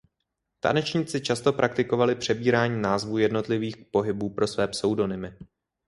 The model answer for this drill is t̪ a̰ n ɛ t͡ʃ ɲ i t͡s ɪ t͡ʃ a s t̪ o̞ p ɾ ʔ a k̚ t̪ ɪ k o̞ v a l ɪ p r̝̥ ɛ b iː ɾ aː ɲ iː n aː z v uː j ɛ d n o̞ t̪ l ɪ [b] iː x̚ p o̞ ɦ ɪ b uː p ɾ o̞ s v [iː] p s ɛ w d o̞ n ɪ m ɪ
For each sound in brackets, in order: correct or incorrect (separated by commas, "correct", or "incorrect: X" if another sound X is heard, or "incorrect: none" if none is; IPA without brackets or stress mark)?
incorrect: v, incorrect: ɛː